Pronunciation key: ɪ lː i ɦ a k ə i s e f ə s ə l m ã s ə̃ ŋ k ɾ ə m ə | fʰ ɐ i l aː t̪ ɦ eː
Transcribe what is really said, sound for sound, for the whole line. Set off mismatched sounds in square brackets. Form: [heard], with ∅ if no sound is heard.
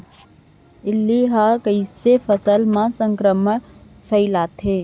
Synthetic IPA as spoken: ɪ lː i ɦ a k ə i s e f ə s ə l m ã s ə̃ ŋ k ɾ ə m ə | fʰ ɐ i l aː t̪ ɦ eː